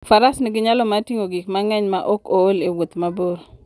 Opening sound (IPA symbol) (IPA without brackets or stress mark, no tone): f